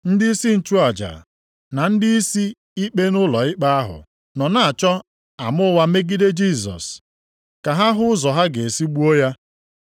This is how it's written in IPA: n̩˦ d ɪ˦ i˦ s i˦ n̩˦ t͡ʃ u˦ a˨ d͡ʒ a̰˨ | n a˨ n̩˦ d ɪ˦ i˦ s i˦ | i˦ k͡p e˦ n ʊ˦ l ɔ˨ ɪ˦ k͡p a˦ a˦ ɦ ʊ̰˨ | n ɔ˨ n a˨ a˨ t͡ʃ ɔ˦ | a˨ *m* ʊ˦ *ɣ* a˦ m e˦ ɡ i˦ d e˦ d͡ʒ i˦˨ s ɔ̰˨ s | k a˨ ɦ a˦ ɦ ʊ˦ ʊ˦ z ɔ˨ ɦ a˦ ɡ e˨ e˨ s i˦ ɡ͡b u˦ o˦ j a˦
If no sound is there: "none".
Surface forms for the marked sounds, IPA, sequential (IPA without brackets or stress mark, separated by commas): m, w